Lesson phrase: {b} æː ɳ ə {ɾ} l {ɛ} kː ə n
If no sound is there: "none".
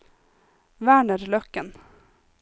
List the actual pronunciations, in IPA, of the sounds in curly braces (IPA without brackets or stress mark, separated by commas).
v, ɾ, œ